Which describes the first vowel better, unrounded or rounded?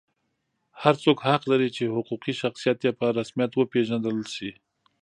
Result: unrounded